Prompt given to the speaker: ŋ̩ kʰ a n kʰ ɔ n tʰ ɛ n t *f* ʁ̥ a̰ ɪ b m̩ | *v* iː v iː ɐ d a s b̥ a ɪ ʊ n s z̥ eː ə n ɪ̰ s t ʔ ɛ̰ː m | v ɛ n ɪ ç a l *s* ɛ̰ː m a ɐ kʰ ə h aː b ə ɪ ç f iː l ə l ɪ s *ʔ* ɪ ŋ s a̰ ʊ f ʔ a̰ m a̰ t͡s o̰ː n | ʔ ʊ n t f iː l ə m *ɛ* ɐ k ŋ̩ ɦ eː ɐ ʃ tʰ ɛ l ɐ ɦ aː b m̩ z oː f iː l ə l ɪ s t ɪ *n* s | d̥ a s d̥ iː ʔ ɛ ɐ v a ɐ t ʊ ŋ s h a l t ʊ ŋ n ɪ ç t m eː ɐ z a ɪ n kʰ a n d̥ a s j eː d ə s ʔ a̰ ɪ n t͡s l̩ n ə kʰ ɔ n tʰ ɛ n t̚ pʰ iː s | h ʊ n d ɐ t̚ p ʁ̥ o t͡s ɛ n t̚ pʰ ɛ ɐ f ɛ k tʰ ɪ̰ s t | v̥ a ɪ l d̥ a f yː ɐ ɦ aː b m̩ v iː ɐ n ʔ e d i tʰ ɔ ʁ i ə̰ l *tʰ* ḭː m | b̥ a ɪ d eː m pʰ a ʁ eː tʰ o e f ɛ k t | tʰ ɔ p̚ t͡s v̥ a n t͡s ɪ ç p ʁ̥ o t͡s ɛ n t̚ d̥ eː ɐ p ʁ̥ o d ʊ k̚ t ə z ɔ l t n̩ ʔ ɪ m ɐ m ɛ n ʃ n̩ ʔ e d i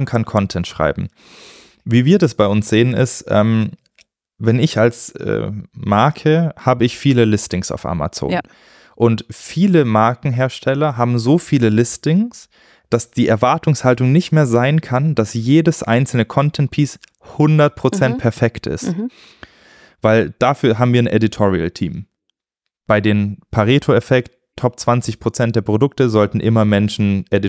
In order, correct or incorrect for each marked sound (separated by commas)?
incorrect, correct, correct, incorrect, incorrect, incorrect, correct